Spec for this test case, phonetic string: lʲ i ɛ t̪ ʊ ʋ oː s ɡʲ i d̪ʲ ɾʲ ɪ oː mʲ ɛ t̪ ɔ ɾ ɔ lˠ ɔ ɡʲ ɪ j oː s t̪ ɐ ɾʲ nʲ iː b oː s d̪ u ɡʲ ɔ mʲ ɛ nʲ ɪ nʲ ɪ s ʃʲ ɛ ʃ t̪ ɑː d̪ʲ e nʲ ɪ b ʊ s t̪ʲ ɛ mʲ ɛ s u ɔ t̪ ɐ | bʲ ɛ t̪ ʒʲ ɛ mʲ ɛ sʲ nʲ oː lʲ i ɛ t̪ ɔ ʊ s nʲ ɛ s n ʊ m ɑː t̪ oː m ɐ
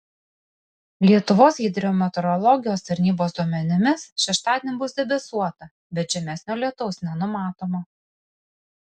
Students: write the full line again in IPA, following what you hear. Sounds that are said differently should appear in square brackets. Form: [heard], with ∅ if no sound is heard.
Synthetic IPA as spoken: lʲ i ɛ t̪ ʊ ʋ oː s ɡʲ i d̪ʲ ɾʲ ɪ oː mʲ ɛ t̪ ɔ ɾ ɔ lˠ ɔ ɡʲ ɪ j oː s t̪ ɐ ɾʲ nʲ iː b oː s d̪ u [∅] ɔ mʲ ɛ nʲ ɪ [mʲ] ɪ s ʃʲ ɛ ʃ t̪ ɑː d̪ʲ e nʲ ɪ b ʊ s [d̪ʲ] ɛ [bʲ] ɛ s u ɔ t̪ ɐ | bʲ ɛ t̪ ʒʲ ɛ mʲ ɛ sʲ nʲ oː lʲ i ɛ t̪ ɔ ʊ s nʲ ɛ [∅] n ʊ m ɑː t̪ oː m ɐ

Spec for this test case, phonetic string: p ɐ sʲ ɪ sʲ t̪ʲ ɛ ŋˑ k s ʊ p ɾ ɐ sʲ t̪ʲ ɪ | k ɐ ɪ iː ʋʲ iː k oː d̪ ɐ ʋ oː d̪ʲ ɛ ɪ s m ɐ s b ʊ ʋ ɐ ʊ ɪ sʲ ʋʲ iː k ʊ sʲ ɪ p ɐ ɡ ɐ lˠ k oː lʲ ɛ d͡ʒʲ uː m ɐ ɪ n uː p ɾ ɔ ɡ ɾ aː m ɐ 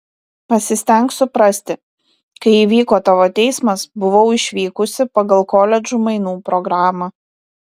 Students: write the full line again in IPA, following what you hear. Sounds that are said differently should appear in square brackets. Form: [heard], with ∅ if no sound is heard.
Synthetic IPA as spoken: p ɐ sʲ ɪ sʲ t̪ʲ ɛ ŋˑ k s ʊ p ɾ ɐ sʲ t̪ʲ ɪ | k ɐ ɪ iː ʋʲ iː k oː [t̪] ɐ ʋ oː [t̪ʲ] ɛ ɪ s m ɐ s b ʊ ʋ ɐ ʊ ɪ [ʃʲ] ʋʲ iː k ʊ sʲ ɪ p ɐ ɡ ɐ lˠ k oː lʲ ɛ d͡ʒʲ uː m ɐ ɪ n uː p ɾ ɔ ɡ ɾ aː m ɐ

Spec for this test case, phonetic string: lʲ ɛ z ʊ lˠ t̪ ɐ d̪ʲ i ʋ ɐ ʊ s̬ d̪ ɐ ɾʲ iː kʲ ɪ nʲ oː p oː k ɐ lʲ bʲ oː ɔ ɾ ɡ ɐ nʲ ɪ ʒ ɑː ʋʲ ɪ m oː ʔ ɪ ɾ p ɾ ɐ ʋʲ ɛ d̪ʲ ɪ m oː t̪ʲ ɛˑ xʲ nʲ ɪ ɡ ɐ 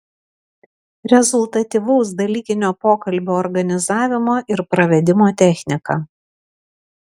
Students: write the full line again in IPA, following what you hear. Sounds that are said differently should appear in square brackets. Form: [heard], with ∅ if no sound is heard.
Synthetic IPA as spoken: [ɾʲ] ɛ z ʊ lˠ t̪ ɐ [t̪ʲ] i ʋ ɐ ʊ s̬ d̪ ɐ [lʲ] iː kʲ ɪ nʲ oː p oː k ɐ lʲ bʲ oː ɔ ɾ ɡ ɐ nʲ ɪ [z] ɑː ʋʲ ɪ m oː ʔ ɪ ɾ p ɾ ɐ ʋʲ ɛ d̪ʲ ɪ m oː t̪ʲ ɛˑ xʲ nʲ ɪ [k] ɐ

